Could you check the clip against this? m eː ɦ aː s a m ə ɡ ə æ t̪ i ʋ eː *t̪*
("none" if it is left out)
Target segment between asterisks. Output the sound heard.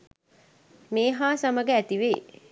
none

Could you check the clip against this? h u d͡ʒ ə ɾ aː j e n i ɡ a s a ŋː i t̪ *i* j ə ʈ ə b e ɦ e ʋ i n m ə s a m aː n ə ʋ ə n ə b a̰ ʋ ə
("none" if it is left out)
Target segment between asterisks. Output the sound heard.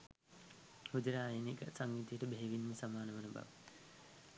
i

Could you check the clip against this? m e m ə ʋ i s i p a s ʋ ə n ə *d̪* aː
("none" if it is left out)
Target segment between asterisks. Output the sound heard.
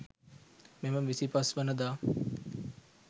d̪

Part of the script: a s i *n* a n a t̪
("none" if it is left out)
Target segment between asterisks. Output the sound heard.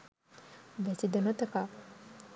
d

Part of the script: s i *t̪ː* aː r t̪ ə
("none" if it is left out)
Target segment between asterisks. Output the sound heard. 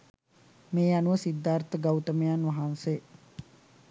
d̪ː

